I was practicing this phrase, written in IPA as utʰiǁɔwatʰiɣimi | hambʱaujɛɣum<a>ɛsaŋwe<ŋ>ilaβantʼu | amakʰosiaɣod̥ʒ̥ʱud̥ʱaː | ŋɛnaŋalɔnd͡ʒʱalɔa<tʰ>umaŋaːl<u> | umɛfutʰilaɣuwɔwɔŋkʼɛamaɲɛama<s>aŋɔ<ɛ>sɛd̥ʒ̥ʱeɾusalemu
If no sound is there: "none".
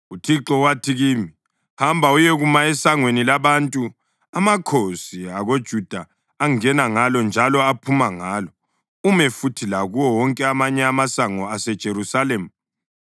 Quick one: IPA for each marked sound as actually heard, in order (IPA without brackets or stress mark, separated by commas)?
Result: a, n, pʰ, ɔ, s, a